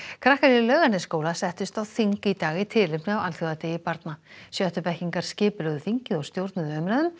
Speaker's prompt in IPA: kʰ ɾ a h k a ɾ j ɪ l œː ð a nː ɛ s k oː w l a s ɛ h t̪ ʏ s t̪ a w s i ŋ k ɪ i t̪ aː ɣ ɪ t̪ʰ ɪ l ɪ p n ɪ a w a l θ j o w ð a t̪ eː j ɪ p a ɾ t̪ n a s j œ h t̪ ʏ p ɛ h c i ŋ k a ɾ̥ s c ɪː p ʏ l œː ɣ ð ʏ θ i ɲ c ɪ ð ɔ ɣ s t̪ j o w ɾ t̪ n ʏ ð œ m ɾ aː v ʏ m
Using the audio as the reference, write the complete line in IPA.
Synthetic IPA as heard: kʰ ɾ a h k a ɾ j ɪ l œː ɣ a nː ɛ s k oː w l a s ɛ h t̪ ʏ s t̪ a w θ i ŋ k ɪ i t̪ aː ɣ ɪ t̪ʰ ɪ l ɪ p n ɪ a w a l θ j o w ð a t̪ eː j ɪ p a ɾ t̪ n a s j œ h t̪ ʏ p ɛ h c i ŋ k a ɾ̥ s c ɪː p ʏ l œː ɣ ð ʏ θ i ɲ c ɪ ð ɔ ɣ s t̪ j o w ɾ t̪ n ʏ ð œ m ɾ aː ð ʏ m